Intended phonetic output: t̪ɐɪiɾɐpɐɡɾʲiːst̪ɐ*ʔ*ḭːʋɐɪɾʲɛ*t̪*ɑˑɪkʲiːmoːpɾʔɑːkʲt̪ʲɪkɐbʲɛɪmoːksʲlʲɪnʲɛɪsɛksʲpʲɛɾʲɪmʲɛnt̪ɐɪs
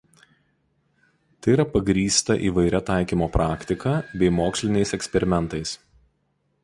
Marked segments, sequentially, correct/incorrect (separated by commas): correct, correct